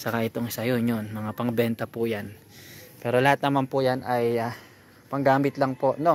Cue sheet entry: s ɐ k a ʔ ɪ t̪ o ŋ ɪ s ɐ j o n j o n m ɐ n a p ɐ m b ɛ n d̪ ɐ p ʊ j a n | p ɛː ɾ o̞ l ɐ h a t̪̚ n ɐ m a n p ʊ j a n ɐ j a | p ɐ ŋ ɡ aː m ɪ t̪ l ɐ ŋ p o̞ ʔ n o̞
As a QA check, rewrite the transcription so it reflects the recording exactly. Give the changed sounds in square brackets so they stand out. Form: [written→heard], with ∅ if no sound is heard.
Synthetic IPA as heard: s ɐ k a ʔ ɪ t̪ o ŋ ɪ s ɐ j o n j o n m ɐ [n→ŋ] a p ɐ [m→ŋ] b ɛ n [d̪→t̪] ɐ p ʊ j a n | p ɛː ɾ o̞ l ɐ h a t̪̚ n ɐ m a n p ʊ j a n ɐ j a | p ɐ ŋ ɡ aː m ɪ t̪ l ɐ ŋ p o̞ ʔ n o̞